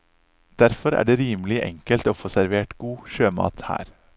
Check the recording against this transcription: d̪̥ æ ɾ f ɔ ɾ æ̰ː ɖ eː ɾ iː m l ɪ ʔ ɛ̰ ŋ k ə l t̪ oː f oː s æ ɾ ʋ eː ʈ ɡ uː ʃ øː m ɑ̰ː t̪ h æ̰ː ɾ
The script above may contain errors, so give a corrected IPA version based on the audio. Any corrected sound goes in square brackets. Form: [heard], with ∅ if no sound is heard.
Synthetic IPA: d̪̥ æ ɾ f ɔ ɾ æ̰ː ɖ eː ɾ iː m l ɪ ʔ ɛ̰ ŋ k ə l t̪ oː f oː s æ ɾ ʋ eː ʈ ɡ uː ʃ øː m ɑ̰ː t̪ h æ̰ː ɾ